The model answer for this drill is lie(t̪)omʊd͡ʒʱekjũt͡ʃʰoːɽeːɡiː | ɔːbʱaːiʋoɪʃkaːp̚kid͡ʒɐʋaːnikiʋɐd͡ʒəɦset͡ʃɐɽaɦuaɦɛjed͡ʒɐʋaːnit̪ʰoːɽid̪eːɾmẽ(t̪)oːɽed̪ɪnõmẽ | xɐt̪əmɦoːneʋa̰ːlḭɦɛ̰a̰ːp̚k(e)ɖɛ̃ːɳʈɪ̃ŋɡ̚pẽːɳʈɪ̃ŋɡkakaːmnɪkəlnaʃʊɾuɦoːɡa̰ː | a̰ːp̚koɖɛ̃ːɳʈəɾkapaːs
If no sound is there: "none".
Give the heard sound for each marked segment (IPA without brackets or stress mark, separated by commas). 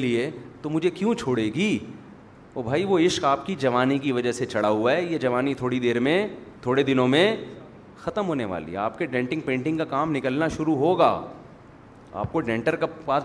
t̪, t̪ʰ, e